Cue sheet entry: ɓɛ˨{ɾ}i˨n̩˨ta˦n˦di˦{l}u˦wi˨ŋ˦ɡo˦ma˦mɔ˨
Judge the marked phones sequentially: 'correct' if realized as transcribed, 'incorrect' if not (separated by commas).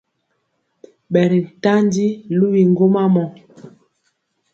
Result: correct, correct